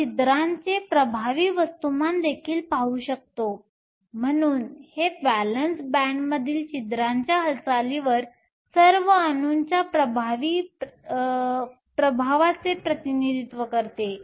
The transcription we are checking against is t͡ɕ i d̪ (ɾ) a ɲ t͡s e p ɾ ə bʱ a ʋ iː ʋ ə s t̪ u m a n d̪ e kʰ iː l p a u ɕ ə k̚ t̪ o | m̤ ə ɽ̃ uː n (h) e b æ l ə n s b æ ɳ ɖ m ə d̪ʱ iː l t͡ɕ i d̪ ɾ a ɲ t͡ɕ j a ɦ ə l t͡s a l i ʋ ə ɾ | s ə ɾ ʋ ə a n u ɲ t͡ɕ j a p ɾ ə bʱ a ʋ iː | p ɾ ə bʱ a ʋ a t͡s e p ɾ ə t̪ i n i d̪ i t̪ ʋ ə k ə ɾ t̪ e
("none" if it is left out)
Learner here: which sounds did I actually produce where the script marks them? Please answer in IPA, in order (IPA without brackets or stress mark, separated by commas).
ɾ, h